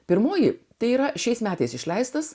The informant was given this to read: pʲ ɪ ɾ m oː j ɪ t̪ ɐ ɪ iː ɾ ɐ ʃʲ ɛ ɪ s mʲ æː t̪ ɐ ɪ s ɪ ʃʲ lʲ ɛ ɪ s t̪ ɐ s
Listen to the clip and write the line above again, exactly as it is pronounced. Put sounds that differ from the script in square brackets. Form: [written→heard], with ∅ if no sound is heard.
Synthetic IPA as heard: pʲ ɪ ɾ m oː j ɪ t̪ ɐ ɪ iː ɾ ɐ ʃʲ ɛ ɪ s mʲ æː t̪ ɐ ɪ s ɪ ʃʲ lʲ ɛ ɪ s t̪ ɐ s